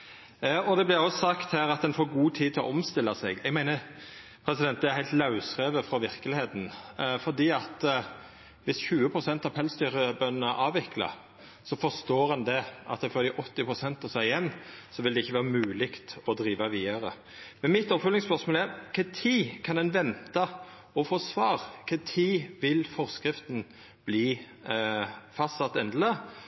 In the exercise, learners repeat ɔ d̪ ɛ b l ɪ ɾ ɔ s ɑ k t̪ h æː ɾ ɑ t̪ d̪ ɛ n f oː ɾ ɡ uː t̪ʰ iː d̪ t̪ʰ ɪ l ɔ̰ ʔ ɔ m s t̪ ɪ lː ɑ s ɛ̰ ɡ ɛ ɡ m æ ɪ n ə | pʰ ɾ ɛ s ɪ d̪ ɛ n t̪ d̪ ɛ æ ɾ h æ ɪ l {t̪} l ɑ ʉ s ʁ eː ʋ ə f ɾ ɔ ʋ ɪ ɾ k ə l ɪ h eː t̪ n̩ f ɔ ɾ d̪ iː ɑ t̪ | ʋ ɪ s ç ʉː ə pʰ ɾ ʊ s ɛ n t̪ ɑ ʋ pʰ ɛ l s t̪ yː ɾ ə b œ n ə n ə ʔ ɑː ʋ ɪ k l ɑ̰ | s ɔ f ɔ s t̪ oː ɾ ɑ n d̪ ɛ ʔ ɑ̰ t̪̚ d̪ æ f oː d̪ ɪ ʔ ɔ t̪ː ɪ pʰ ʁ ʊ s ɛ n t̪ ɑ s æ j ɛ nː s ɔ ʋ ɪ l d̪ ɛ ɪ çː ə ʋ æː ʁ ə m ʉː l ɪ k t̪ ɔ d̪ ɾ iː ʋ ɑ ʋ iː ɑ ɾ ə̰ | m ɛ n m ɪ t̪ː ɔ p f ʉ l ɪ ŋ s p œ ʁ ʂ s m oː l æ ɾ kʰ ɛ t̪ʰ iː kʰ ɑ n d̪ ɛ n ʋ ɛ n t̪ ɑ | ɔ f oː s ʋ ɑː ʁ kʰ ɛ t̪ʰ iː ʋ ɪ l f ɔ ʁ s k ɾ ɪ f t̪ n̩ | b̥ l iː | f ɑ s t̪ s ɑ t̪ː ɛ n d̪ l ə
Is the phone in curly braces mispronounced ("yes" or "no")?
no